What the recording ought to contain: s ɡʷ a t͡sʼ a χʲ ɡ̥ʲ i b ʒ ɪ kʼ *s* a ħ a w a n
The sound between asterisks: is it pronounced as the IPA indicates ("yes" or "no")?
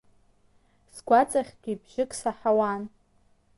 yes